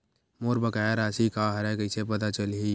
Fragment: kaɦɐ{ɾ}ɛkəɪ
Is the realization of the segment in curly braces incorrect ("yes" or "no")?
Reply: no